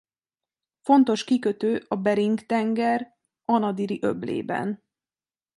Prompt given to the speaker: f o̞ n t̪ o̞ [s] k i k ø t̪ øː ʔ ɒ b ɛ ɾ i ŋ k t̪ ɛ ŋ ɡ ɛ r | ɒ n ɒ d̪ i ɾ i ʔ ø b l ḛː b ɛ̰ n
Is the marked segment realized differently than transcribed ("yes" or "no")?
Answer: yes